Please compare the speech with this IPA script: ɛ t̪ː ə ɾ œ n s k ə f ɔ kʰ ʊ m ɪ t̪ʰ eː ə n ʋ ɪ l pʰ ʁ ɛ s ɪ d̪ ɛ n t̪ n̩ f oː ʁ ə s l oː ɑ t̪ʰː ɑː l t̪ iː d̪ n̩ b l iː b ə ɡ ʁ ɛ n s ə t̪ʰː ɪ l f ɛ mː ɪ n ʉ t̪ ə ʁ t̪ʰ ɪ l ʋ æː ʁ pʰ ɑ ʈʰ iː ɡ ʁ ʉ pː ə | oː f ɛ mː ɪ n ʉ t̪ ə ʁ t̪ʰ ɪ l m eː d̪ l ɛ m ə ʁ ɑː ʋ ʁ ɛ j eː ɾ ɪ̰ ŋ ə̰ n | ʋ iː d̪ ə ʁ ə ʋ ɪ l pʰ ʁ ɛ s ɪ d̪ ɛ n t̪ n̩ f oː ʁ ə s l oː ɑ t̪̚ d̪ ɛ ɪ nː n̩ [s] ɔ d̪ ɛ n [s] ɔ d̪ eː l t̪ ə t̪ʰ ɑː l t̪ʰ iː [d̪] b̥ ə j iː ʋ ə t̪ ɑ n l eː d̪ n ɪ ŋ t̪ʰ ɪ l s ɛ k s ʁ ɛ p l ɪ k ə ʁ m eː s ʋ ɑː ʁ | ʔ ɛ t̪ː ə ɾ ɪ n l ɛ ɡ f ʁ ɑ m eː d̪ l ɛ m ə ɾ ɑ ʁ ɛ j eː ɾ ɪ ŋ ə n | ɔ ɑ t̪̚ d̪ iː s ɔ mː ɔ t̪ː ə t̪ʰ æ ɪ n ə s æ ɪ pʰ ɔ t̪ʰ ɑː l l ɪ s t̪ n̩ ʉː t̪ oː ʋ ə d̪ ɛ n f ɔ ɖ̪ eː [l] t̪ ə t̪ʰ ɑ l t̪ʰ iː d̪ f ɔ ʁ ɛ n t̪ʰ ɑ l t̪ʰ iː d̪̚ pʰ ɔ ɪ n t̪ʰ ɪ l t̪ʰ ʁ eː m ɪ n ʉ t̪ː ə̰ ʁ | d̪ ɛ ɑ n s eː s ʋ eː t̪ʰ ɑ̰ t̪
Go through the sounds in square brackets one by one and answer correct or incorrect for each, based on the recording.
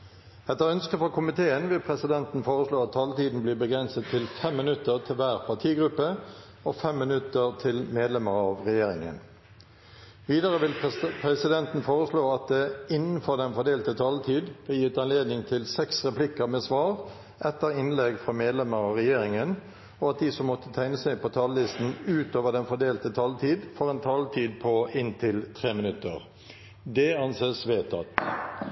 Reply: incorrect: f, incorrect: f, correct, correct

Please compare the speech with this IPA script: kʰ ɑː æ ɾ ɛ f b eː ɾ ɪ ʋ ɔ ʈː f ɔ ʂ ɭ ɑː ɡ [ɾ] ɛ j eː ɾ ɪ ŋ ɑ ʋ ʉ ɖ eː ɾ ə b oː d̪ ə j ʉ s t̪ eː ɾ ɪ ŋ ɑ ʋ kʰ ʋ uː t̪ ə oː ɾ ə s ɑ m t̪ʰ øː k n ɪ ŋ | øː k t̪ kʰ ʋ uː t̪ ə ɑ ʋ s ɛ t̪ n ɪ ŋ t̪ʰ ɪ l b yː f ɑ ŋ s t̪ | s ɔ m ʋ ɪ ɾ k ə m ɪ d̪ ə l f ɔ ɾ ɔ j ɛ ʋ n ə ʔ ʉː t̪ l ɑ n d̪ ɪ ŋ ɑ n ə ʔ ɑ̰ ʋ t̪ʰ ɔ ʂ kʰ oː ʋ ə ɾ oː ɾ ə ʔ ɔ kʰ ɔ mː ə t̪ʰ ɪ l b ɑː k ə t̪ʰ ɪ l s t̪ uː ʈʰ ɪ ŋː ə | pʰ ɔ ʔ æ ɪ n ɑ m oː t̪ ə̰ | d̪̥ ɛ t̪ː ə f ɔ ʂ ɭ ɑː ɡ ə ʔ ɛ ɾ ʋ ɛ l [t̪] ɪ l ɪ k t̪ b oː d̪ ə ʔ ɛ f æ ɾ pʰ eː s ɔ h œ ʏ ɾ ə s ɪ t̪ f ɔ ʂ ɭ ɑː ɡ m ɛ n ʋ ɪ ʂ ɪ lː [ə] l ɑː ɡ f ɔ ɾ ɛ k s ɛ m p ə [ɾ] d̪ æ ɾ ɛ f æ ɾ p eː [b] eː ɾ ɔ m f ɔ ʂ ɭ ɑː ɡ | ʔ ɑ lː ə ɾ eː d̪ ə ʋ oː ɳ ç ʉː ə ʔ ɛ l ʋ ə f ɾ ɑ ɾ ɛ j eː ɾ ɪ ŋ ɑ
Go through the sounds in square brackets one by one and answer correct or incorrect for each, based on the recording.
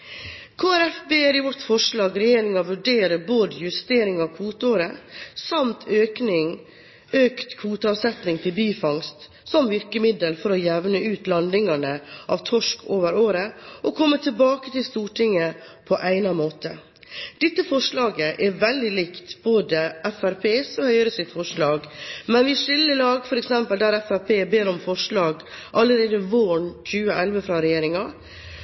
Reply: correct, incorrect: d̪, correct, incorrect: l, correct

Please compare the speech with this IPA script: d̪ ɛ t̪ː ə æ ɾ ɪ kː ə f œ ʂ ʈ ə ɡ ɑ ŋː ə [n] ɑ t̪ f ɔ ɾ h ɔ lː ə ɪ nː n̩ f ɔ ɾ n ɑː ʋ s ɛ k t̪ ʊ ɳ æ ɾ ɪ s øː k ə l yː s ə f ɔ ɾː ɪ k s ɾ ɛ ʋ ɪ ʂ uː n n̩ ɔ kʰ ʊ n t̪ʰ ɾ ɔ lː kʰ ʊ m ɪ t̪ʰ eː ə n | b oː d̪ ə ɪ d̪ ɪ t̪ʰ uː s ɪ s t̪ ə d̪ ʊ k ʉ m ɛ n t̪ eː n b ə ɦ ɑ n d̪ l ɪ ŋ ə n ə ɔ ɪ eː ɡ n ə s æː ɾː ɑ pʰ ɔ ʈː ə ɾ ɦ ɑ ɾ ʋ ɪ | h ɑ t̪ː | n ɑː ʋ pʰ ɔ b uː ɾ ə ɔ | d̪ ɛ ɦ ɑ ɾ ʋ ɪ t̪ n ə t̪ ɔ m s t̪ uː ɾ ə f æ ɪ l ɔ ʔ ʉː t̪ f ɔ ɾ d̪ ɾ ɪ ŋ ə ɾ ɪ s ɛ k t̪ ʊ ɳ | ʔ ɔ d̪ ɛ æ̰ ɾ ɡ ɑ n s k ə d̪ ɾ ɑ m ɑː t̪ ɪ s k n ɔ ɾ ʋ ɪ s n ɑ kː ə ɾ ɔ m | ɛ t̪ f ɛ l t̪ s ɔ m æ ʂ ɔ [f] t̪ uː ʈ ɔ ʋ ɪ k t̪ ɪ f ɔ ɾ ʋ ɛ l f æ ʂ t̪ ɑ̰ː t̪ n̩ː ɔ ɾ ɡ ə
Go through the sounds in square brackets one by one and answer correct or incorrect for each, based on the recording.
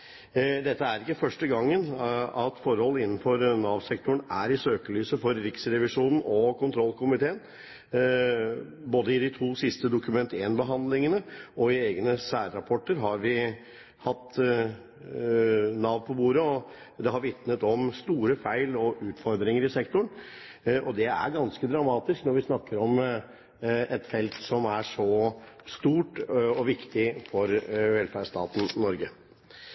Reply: correct, incorrect: s

